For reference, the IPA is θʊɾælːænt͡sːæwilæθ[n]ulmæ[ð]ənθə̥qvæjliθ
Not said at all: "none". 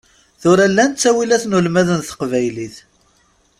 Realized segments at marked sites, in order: n, ð

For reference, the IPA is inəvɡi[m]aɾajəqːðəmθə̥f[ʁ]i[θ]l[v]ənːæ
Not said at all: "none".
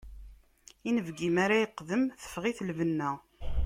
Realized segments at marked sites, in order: m, ʁ, θ, v

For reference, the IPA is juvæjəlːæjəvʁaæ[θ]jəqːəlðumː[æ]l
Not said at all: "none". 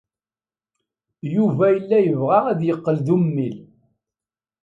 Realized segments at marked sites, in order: ð, i

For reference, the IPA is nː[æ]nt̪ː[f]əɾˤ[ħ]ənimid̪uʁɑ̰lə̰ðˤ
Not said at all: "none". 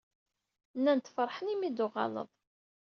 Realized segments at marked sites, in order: æ, f, ħ

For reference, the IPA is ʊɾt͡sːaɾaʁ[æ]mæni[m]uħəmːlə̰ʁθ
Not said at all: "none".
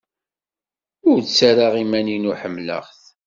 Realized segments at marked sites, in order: i, n

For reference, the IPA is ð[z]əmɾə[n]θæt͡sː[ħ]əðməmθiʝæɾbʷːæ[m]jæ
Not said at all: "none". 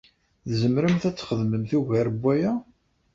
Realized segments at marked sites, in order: z, m, χ, none

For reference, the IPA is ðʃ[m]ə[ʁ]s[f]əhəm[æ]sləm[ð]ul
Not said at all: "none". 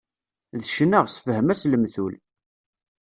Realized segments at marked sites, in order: n, ʁ, f, æ, θ

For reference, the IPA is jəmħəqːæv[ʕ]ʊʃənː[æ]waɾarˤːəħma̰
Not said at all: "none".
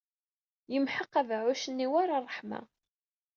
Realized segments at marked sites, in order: ʕ, i

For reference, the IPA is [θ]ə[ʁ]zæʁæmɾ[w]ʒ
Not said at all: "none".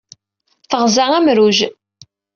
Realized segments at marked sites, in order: θ, ʁ, u

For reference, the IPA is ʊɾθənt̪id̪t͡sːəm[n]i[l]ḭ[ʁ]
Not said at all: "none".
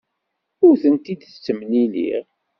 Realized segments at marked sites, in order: n, l, ʁ

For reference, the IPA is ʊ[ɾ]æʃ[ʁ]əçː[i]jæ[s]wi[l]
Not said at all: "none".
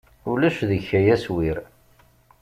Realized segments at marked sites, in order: l, ð, æ, s, ɾ

